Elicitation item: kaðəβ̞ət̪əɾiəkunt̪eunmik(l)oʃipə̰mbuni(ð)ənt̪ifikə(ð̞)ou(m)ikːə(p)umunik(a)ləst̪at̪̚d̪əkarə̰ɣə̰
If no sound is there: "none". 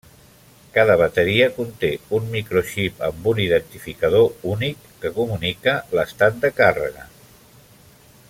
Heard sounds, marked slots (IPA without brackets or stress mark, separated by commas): ɾ, ð, ð̞, n, k, ə